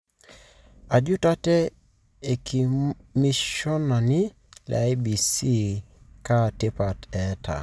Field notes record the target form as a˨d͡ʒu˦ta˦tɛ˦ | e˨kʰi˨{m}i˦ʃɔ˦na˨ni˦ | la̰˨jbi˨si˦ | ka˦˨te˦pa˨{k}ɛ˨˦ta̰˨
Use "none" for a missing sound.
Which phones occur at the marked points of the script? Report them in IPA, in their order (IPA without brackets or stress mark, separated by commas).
m, t